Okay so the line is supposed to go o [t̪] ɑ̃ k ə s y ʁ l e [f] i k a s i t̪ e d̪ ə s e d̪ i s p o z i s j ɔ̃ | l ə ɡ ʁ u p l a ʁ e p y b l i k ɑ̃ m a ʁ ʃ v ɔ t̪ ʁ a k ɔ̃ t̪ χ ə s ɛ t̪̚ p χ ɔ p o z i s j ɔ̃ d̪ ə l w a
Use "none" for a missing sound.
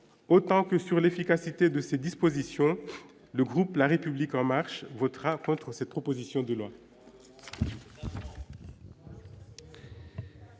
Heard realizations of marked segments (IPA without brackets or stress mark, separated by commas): t̪, f